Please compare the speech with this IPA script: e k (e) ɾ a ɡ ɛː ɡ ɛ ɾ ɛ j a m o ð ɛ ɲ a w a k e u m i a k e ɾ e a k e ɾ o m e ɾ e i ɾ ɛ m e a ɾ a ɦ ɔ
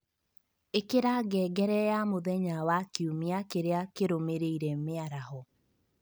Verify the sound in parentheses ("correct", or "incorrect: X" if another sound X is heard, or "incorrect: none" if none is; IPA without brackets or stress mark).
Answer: correct